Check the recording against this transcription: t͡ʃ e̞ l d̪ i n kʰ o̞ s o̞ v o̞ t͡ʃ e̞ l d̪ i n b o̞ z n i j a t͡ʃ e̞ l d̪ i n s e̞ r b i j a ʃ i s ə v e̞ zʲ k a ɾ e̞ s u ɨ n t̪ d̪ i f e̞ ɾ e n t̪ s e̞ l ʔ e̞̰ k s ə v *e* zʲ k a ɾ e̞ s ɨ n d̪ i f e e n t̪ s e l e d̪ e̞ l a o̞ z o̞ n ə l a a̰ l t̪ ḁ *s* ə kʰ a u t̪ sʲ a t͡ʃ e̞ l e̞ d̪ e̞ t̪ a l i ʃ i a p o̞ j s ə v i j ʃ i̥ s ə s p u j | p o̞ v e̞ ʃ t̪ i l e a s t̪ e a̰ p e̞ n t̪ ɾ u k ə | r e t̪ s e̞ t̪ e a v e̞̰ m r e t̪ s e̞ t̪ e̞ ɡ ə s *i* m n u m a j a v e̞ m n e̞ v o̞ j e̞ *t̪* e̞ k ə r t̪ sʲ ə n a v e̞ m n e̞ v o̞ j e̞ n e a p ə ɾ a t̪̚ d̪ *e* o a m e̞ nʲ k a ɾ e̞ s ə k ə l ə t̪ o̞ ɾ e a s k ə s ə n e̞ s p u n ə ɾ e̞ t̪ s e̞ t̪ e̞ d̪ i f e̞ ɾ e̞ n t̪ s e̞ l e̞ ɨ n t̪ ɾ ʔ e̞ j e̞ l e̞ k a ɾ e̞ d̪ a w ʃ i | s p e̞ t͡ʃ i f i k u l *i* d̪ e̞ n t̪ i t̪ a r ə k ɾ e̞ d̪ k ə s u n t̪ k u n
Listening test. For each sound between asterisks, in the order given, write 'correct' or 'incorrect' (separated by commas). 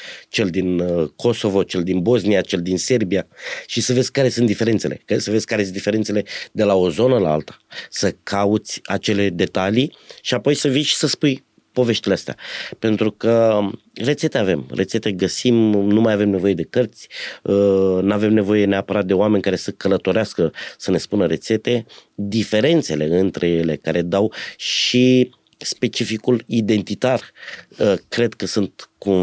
correct, correct, correct, incorrect, correct, correct